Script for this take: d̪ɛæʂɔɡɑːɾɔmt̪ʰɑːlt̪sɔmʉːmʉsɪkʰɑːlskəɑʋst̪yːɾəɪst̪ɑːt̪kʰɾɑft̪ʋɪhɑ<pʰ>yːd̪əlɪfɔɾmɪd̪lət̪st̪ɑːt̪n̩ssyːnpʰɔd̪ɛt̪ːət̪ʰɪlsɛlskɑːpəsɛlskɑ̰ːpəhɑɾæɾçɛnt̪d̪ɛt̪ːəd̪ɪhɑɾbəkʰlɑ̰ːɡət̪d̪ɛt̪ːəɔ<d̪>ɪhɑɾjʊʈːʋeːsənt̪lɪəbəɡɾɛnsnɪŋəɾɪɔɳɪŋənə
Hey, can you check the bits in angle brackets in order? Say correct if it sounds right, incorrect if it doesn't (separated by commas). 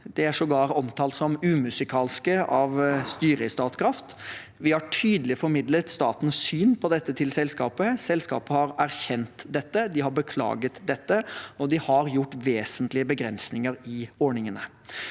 incorrect, correct